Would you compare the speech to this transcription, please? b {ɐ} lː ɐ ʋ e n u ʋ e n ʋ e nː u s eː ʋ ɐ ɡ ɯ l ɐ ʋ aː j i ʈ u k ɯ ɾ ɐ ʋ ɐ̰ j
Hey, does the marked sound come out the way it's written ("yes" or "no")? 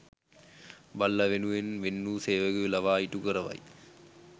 yes